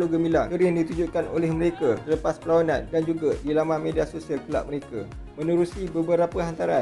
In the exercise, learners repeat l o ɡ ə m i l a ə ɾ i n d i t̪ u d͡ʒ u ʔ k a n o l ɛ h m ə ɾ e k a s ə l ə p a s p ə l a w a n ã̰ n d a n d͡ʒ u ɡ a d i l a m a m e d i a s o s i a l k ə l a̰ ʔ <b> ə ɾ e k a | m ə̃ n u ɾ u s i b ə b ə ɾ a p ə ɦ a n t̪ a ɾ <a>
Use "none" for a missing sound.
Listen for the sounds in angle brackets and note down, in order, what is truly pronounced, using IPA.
m, a

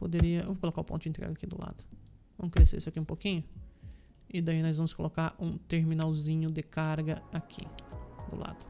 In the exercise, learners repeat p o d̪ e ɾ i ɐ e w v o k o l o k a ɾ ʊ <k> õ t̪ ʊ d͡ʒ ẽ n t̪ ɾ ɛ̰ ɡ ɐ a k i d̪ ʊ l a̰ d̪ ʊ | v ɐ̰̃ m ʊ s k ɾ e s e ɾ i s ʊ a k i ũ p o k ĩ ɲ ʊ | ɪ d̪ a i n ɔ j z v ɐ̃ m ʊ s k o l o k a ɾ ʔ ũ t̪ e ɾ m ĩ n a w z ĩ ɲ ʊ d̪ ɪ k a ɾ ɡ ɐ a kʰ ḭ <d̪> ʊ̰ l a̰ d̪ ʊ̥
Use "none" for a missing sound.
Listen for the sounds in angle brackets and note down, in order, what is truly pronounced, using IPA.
p, d̪

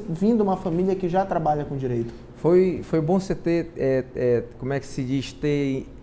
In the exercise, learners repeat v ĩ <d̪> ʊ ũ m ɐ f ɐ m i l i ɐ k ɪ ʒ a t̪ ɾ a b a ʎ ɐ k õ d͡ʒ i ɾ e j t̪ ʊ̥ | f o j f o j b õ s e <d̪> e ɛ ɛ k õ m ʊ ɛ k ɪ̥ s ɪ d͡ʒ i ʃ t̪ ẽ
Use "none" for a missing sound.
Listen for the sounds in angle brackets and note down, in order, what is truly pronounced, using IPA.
d̪, t̪

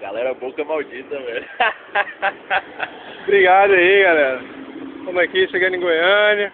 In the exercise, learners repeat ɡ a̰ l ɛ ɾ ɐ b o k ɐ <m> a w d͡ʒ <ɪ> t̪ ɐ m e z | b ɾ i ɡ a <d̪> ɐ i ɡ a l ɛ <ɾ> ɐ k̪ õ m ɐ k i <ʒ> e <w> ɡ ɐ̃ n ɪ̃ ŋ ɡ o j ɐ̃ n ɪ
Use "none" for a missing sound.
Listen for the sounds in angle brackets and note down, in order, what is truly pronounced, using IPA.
m, i, d̪, ɾ, ʃ, none

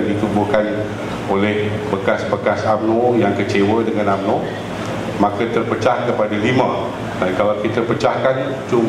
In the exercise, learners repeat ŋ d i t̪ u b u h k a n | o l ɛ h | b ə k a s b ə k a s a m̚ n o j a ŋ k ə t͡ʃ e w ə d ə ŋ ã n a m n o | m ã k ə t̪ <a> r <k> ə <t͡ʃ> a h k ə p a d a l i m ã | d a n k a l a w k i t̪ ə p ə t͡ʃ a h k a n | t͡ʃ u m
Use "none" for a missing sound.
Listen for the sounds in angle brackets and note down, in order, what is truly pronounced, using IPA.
ə, p, t͡ʃ

